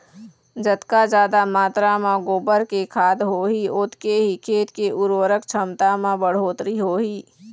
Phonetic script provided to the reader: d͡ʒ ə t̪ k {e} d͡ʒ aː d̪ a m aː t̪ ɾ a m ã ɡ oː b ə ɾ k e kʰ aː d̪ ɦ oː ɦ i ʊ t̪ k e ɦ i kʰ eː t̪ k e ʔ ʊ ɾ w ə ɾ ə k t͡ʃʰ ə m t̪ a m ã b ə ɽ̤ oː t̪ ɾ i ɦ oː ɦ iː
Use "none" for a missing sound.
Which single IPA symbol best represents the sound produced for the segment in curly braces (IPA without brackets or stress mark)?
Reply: a